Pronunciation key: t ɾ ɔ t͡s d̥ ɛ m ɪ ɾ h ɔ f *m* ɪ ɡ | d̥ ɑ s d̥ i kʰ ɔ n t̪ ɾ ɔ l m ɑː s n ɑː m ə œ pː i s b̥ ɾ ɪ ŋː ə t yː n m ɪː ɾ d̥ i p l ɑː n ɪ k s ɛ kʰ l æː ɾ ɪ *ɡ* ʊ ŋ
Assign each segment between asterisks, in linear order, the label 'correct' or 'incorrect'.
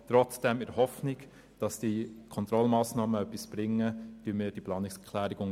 incorrect, correct

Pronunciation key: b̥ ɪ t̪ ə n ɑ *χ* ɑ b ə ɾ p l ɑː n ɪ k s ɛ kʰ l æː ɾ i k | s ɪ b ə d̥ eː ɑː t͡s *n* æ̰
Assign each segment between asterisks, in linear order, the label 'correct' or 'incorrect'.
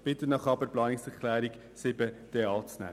correct, correct

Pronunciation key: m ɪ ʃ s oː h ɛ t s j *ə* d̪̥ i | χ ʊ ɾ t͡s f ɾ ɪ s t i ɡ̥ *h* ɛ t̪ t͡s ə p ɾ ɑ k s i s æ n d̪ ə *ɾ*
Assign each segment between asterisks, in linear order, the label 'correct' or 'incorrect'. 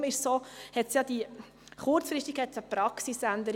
incorrect, correct, correct

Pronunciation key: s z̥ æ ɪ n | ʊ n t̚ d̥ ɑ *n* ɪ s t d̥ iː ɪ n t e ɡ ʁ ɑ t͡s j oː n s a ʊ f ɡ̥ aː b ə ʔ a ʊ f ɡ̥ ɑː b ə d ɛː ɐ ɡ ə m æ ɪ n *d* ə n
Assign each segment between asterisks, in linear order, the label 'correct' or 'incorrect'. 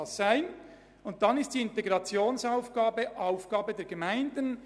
correct, correct

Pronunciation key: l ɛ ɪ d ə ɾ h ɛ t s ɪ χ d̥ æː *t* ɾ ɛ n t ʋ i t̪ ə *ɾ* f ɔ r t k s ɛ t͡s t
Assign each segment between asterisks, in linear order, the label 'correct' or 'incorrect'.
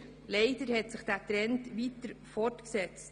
correct, correct

